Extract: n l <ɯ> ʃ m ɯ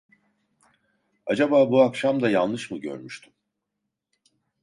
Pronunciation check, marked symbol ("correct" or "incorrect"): correct